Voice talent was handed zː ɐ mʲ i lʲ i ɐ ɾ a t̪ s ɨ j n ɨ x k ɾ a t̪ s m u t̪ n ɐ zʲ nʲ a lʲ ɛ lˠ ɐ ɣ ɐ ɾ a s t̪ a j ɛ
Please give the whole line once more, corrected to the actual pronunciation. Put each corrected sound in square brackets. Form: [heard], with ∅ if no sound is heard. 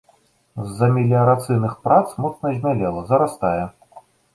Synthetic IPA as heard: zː ɐ mʲ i lʲ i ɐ ɾ a t̪ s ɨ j n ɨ x [p] ɾ a t̪ s m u t̪ n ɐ zʲ [mʲ] a lʲ ɛ lˠ ɐ [z] ɐ ɾ a s t̪ a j ɛ